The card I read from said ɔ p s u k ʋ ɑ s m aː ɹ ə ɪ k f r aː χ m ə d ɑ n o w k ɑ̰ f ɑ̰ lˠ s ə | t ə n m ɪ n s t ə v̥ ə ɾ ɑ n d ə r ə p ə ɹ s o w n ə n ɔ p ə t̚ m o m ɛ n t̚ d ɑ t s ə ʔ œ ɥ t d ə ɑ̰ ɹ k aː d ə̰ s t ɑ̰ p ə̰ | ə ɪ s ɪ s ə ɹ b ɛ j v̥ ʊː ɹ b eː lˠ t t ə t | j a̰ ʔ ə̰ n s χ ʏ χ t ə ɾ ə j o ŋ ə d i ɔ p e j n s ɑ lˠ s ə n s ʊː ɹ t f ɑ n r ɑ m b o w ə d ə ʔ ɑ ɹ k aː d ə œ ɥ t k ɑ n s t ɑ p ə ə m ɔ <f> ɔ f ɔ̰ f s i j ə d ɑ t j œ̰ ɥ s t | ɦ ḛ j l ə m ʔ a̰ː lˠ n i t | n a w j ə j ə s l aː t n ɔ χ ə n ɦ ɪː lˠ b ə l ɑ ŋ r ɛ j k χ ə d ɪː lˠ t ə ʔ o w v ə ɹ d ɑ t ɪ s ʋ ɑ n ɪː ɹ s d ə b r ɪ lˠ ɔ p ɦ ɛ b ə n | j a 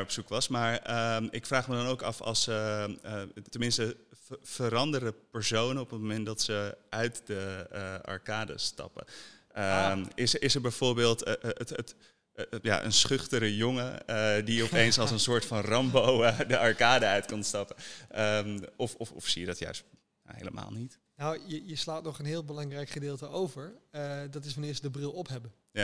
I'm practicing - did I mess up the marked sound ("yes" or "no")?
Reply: no